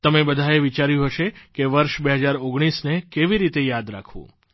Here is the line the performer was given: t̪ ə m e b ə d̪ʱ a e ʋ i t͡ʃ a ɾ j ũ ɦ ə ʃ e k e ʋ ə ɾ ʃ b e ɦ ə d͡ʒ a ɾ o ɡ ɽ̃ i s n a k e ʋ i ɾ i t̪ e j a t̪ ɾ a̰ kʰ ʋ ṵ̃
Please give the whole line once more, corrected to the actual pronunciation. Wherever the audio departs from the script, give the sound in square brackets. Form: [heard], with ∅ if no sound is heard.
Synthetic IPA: t̪ ə m e b ə d̪ʱ a e ʋ i t͡ʃ a ɾ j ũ ɦ ə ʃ e k e ʋ ə ɾ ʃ b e ɦ ə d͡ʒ a ɾ o ɡ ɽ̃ i s n [e] k e ʋ i ɾ i t̪ e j a [d̪] ɾ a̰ kʰ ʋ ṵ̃